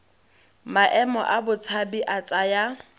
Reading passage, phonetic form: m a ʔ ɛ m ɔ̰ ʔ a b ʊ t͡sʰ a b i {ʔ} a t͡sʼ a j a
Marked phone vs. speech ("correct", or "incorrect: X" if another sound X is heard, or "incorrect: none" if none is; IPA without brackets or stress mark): correct